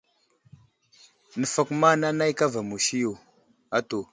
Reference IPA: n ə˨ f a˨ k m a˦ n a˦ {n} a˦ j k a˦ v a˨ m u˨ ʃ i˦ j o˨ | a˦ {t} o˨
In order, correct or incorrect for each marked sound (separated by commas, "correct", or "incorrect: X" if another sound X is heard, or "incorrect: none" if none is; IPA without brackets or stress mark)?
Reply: correct, correct